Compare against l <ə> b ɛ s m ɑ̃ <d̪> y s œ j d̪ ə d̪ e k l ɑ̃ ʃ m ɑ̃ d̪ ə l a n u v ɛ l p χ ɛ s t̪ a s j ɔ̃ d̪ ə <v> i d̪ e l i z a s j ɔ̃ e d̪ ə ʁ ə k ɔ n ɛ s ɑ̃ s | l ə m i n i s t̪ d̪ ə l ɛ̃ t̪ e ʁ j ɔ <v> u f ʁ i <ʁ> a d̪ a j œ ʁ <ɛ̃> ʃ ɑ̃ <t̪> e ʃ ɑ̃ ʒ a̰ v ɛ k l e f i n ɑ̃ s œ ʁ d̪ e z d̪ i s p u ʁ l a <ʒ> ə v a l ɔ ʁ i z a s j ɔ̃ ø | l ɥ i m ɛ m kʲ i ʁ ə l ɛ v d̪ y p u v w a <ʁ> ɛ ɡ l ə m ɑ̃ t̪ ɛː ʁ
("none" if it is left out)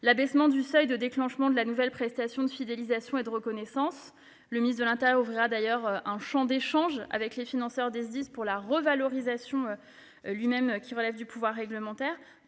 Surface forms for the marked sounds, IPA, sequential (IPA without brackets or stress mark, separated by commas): a, d̪, f, ʁ, ʁ, ɛ̃, d̪, ʁ, ʁː